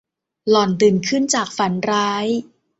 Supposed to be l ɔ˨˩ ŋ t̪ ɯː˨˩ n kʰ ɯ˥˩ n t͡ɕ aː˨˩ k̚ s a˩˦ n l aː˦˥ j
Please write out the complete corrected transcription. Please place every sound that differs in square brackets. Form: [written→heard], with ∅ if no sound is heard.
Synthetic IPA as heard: l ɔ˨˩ [ŋ→n] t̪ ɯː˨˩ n kʰ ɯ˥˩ n t͡ɕ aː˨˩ k̚ [s→f] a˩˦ n [l→ɾ] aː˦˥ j